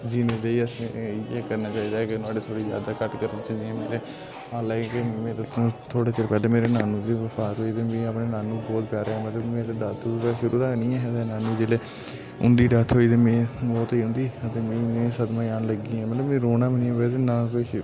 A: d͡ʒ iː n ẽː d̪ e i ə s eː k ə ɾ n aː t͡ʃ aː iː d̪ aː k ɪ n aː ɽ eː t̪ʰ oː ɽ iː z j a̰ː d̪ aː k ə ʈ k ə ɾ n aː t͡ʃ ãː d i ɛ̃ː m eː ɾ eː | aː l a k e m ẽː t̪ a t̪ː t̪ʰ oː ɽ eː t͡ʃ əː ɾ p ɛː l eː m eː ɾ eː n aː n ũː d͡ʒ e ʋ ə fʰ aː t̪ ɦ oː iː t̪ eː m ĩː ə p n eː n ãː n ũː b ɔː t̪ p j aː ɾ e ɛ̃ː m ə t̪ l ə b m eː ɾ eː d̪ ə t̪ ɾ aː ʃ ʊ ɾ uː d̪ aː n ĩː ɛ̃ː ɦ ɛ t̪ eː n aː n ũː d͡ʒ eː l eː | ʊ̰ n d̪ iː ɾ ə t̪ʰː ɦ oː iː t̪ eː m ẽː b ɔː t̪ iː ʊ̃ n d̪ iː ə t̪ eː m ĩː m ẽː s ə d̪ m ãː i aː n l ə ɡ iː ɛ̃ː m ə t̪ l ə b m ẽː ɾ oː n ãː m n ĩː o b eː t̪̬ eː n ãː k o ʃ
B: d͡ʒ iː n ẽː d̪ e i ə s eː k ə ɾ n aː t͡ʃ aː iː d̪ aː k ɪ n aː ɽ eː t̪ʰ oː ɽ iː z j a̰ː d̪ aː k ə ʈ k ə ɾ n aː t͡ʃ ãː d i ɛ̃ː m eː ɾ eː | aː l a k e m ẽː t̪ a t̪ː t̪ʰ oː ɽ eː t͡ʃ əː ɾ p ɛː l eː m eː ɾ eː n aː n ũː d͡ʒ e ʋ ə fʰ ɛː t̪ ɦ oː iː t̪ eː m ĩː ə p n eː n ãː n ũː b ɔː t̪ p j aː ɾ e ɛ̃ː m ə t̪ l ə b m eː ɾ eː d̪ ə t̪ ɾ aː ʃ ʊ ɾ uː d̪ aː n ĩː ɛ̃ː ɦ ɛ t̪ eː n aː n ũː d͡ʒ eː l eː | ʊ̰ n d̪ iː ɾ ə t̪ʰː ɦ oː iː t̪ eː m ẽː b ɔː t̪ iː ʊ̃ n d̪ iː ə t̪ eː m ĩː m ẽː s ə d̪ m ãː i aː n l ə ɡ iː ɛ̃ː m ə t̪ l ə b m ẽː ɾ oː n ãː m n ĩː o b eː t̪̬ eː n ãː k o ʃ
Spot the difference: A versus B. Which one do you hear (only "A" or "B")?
A